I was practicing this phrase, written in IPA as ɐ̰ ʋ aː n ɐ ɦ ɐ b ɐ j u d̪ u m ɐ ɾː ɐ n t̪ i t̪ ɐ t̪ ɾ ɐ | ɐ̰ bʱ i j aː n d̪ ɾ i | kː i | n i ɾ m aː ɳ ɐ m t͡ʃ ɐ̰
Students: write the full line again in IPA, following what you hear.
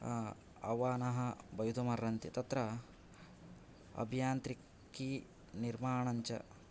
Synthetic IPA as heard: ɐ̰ ʋ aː n ɐ ɦ ɐ b ɐ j u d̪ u m ɐ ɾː ɐ n t̪ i t̪ ɐ t̪ ɾ ɐ | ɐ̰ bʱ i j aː n t̪ ɾ i | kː i | n i ɾ m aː ɳ ɐ ɲ t͡ʃ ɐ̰